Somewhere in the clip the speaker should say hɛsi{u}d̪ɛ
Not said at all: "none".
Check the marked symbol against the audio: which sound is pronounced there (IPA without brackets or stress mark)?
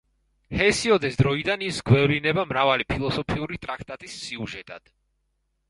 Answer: ɔ